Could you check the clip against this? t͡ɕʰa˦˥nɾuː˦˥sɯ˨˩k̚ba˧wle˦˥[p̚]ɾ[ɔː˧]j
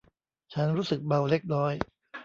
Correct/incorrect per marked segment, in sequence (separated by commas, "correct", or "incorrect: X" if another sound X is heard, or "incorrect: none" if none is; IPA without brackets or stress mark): incorrect: k̚, incorrect: ɔː˦˥